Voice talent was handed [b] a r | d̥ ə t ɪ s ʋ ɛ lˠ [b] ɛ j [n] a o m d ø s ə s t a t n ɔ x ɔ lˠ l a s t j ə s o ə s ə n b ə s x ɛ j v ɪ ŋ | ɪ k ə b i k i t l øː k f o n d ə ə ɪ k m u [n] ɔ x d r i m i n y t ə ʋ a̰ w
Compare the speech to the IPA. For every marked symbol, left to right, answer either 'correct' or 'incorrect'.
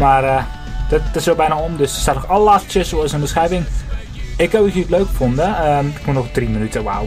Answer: incorrect: m, correct, correct, correct

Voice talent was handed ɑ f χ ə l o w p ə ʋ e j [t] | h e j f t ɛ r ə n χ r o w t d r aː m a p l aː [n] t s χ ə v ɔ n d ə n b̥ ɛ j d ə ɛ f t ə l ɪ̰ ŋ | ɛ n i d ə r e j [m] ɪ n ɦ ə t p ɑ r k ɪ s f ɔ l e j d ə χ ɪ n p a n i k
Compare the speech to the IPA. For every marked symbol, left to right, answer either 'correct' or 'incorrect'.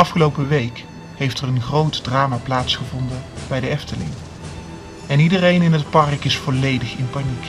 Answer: incorrect: k, incorrect: none, incorrect: n

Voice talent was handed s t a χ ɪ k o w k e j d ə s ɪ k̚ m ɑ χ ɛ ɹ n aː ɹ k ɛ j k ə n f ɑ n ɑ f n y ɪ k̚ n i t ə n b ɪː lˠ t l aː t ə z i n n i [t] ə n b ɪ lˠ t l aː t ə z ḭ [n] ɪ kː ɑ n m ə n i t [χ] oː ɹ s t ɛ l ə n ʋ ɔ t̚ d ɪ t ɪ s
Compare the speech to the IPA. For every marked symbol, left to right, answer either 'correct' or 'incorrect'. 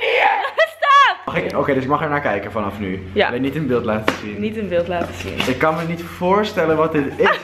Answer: correct, correct, incorrect: f

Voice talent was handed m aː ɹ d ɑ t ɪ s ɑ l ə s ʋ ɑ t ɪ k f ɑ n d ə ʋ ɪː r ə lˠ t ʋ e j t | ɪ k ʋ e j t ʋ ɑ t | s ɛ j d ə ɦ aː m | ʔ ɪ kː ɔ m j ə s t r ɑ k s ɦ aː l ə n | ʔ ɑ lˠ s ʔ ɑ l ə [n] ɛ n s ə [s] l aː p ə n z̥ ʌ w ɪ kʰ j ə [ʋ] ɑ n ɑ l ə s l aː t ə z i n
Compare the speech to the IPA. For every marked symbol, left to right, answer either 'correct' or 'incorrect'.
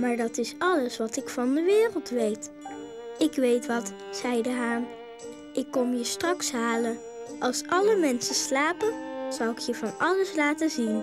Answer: incorrect: m, correct, incorrect: v

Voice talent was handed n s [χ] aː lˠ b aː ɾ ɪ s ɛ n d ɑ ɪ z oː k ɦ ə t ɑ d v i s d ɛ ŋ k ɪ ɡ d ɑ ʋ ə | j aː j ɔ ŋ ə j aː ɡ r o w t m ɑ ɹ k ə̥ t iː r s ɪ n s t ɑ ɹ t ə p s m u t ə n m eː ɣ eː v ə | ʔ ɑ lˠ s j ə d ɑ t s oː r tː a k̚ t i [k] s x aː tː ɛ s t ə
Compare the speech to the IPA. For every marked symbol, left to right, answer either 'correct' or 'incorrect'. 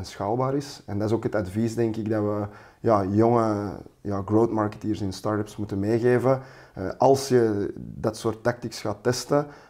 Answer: incorrect: x, correct

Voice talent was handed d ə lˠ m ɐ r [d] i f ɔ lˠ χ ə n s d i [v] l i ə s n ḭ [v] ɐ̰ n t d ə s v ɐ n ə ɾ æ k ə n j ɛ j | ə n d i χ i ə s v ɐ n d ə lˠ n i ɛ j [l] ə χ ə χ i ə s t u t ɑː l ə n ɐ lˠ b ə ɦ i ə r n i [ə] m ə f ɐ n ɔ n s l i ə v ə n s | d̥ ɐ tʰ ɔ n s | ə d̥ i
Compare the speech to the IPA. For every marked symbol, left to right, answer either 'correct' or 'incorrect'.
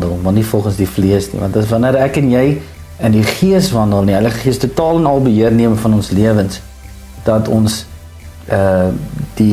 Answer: incorrect: n, incorrect: f, correct, correct, correct

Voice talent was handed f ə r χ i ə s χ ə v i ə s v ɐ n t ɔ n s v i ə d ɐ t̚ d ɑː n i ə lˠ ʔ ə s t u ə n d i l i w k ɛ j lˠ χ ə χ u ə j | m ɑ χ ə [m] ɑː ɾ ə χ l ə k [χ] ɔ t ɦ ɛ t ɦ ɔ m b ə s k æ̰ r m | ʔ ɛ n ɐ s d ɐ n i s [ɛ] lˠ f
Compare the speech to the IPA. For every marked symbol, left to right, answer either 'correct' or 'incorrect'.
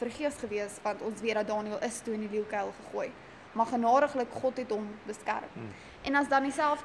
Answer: incorrect: n, correct, incorrect: æ

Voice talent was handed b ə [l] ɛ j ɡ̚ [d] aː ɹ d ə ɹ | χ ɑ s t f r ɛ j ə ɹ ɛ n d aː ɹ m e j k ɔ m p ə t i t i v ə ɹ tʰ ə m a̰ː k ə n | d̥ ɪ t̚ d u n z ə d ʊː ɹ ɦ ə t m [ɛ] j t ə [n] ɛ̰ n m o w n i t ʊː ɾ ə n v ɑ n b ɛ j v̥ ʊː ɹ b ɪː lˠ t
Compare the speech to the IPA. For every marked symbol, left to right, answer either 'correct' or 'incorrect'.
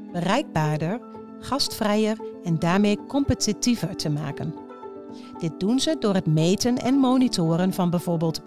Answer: incorrect: r, incorrect: b, incorrect: e, correct

